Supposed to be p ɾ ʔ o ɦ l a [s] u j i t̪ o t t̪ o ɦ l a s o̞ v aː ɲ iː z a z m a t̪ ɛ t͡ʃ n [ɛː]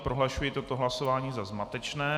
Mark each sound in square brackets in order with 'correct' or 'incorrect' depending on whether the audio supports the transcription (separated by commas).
incorrect, correct